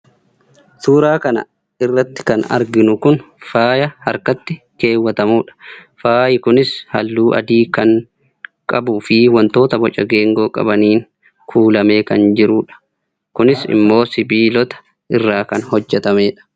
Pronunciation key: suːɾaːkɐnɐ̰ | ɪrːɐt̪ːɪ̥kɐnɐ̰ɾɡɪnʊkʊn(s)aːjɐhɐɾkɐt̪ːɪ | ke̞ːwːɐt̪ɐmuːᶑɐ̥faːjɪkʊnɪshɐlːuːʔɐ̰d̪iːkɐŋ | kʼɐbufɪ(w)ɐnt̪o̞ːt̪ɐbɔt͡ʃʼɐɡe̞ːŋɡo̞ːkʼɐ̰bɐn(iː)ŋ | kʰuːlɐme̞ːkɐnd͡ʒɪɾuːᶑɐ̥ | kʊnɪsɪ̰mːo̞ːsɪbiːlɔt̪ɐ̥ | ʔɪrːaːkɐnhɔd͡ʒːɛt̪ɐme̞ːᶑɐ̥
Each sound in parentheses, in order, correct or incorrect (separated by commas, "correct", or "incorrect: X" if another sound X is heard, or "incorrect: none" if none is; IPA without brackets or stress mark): incorrect: f, correct, correct